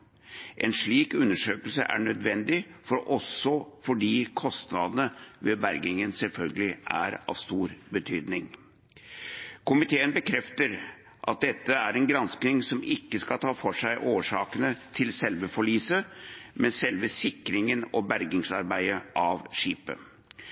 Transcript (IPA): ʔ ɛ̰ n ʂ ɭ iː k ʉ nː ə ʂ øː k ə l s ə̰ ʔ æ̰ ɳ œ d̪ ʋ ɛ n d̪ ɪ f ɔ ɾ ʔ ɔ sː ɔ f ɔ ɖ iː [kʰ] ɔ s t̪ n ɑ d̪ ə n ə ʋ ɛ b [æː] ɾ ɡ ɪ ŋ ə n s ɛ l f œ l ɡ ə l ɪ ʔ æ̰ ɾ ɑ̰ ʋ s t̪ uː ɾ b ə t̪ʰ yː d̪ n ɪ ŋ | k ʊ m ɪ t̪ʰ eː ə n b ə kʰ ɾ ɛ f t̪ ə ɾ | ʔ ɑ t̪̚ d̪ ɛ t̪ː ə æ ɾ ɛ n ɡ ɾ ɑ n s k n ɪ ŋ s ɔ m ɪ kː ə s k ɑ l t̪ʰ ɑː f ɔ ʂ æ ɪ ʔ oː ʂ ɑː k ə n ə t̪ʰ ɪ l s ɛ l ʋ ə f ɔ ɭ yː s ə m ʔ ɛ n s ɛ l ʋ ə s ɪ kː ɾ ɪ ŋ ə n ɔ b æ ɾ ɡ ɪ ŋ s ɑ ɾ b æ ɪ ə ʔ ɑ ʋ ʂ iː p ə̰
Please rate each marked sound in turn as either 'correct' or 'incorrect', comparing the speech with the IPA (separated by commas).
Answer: correct, incorrect